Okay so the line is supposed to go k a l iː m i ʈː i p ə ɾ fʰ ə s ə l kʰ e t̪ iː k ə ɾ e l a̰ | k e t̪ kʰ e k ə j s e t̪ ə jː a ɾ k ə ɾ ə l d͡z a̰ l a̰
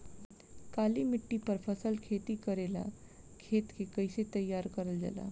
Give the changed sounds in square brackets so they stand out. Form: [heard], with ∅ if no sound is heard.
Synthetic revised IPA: k a l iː m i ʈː i p ə ɾ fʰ ə s ə l kʰ e t̪ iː k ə ɾ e l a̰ | [kʰ] e t̪ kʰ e k ə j s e t̪ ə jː a ɾ k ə ɾ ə l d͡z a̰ l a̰